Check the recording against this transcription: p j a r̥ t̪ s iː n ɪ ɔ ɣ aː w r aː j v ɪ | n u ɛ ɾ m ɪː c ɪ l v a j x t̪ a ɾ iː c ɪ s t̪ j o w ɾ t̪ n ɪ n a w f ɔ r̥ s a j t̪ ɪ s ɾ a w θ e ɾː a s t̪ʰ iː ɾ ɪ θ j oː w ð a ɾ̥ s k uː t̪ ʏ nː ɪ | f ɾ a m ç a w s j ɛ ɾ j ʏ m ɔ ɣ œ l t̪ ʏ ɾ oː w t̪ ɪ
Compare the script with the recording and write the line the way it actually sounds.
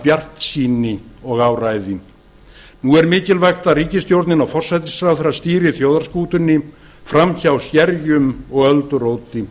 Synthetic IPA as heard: p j a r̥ t̪ s iː n ɪ ɔ ɣ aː w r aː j ð ɪ | n u ɛ ɾ m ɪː c ɪ l v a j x t̪ a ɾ iː c ɪ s t̪ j o w ɾ t̪ n ɪ n a w f ɔ r̥ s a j t̪ ɪ s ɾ a w θ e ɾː a s t̪ iː ɾ ɪ θ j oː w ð a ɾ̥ s k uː t̪ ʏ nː ɪ | f ɾ a m ç a w s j ɛ ɾ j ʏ m ɔ ɣ œ l t̪ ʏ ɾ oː w t̪ ɪ

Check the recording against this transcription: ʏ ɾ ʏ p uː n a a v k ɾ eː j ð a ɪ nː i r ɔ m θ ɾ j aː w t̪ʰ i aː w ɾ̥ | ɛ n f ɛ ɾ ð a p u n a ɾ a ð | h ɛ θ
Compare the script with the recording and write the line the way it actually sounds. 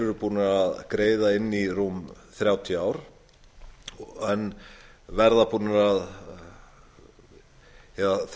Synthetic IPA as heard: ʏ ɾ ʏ p uː n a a ð k ɾ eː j ð a ɪ nː i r u m θ ɾ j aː w t̪ʰ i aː w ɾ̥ | ɛ n v ɛ ɾ ð a p uː n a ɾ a ð | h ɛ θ

